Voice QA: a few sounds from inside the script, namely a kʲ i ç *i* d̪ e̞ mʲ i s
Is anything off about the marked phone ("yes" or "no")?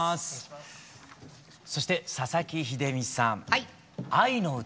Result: no